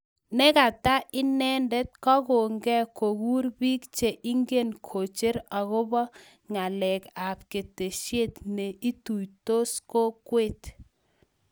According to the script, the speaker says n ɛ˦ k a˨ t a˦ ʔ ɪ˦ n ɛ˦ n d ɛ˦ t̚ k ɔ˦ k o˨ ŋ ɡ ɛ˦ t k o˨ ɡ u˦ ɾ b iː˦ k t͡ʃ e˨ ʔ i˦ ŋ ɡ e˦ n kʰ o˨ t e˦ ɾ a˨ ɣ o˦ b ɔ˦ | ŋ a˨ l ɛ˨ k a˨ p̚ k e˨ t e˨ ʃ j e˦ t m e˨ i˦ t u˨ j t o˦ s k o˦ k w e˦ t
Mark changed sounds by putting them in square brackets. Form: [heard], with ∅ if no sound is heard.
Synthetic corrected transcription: n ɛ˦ k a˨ t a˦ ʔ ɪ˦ n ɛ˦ n d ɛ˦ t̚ k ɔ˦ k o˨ ŋ ɡ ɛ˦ [∅] k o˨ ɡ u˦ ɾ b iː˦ k t͡ʃ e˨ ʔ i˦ ŋ ɡ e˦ n kʰ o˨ [t͡ʃ] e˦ ɾ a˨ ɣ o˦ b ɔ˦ | ŋ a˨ l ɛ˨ k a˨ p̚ k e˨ t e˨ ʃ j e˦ t [n] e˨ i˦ t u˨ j t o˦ s k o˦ k w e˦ t